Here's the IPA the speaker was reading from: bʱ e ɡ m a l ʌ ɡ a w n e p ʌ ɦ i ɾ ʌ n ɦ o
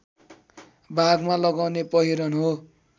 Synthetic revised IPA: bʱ a ɡ m a l ʌ ɡ a w n e p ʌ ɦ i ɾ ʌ n ɦ o